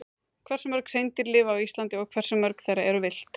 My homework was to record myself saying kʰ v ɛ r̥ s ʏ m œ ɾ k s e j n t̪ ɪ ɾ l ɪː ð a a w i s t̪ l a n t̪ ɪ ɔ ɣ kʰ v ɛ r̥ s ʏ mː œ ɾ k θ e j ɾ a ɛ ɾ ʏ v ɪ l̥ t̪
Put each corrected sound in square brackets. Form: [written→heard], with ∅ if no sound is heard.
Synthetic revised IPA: kʰ v ɛ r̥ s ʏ m œ ɾ k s e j n t̪ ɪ ɾ l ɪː [ð→v] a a w i s t̪ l a n t̪ ɪ ɔ ɣ kʰ v ɛ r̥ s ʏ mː œ ɾ k θ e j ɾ a ɛ ɾ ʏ v ɪ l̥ t̪